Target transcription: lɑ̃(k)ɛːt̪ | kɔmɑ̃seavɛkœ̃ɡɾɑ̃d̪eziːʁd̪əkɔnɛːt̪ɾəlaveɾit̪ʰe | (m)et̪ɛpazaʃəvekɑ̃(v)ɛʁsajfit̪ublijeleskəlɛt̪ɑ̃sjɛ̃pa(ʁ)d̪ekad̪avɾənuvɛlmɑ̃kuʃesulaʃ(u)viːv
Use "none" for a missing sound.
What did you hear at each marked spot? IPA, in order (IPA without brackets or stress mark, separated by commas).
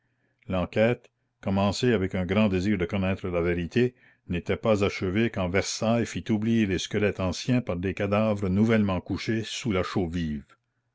k, n, v, ʁ, o